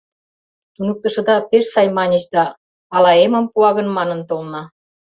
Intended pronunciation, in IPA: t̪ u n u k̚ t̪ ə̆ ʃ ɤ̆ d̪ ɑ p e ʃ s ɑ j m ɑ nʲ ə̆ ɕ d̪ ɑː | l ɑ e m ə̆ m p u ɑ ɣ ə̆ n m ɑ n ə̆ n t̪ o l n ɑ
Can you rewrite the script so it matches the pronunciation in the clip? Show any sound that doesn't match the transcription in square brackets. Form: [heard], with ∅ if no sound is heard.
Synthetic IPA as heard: t̪ u n u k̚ t̪ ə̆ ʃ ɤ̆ d̪ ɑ p e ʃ s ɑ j m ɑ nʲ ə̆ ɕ d̪ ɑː | l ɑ e m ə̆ m p u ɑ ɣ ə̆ n m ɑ n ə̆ n t̪ o l n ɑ

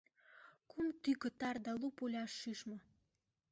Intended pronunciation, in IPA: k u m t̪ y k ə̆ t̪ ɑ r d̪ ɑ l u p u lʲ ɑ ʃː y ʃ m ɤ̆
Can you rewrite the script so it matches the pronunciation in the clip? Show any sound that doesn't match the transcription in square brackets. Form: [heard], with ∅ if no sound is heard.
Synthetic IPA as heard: k u m t̪ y k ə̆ t̪ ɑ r d̪ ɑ l u p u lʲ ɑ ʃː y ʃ m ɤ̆

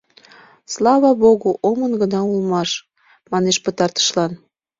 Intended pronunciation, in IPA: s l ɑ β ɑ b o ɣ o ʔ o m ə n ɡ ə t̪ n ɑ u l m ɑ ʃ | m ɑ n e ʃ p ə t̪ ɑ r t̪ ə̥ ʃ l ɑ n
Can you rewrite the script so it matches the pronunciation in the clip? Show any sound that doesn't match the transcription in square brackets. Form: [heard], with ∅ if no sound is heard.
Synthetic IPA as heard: s l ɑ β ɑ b o ɣ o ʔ o m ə n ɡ ə [∅] n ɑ u l m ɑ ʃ | m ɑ n e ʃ p ə t̪ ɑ r t̪ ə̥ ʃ l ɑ n

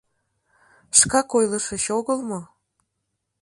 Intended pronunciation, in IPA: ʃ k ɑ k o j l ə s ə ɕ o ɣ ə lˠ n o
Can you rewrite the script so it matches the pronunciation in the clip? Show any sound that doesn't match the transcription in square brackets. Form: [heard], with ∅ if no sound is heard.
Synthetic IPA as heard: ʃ k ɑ k o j l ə [ʃ] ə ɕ o ɣ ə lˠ [m] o

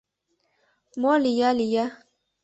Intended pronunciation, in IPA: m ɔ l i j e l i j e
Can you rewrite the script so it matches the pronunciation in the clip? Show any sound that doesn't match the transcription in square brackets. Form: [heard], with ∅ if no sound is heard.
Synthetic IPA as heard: m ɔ l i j [a] l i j [a]

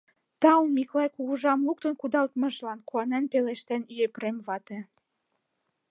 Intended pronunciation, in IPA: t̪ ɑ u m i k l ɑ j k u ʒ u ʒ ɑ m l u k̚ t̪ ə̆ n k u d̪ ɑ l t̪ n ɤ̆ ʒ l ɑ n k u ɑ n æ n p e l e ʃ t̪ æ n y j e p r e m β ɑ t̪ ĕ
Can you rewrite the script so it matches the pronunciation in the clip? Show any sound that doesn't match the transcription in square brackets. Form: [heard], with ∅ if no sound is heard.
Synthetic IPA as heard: t̪ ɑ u m i k l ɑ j k u [ɣ] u ʒ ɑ m l u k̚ t̪ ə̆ n k u d̪ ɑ l t̪ [m] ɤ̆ ʒ l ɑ n k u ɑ n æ n p e l e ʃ t̪ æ n y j e p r e m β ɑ t̪ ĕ

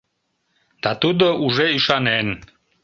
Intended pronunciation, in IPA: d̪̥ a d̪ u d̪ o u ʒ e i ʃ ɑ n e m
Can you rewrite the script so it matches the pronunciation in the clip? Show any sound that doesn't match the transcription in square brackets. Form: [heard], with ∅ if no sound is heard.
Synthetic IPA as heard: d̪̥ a [t̪] u d̪ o u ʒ e i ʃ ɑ n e [n]

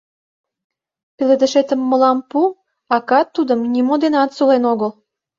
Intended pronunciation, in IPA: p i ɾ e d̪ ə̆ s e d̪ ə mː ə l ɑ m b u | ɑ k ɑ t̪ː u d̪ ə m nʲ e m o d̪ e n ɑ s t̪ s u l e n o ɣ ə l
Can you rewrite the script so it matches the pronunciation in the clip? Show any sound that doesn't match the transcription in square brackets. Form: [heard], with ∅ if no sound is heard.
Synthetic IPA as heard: p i [l] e d̪ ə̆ [ʃ] e [t̪] ə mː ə l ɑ m [p] u | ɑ k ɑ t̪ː u d̪ ə m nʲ [i] m o d̪ e n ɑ [∅] t̪ s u l e n o ɣ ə l

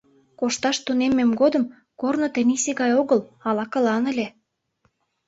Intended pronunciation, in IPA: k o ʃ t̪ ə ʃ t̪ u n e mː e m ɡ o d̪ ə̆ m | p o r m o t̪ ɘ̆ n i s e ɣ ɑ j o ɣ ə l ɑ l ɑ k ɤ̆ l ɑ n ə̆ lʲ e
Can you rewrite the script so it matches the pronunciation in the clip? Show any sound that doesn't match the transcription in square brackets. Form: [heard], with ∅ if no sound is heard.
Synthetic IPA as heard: k o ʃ t̪ [ɑ] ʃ t̪ u n e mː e m ɡ o d̪ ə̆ m | [k] o r [n] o t̪ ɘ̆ n i s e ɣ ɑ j o ɣ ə l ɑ l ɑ k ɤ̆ l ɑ n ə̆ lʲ e

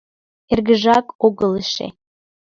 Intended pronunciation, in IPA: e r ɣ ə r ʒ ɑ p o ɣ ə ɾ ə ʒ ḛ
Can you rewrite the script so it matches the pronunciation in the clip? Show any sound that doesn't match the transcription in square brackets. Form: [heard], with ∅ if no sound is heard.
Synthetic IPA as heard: e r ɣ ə [∅] ʒ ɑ [k] o ɣ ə [l] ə [ʃ] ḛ

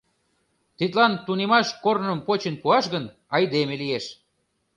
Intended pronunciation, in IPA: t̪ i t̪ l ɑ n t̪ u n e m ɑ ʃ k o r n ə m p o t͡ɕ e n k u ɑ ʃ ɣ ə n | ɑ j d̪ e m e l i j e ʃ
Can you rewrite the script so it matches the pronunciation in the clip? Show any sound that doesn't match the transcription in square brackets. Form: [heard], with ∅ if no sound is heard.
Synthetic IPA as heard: t̪ i t̪ l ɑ n t̪ u n e m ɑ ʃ k o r n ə m p o t͡ɕ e n [p] u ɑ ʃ ɣ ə n | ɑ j d̪ e m e l i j e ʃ

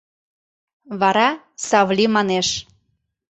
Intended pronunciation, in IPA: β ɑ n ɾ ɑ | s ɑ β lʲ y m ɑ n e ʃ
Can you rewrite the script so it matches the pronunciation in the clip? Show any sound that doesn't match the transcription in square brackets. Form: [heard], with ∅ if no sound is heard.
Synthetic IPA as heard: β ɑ [∅] ɾ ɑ | s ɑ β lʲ [i] m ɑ n e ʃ

